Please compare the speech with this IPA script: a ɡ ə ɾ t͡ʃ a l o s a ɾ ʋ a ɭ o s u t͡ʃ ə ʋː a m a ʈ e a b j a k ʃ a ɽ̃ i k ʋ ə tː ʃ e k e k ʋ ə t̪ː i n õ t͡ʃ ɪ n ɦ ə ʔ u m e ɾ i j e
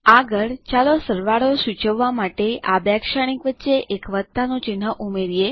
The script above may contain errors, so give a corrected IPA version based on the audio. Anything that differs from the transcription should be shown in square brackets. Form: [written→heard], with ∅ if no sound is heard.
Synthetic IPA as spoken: a ɡ ə [ɾ→ɭ] t͡ʃ a l o s [a→ə] ɾ ʋ a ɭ o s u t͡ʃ ə ʋː a m a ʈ e a b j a k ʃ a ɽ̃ i k ʋ ə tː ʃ e [k→ʔ] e k ʋ ə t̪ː [i→a] n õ t͡ʃ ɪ n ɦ ə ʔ u m e ɾ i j e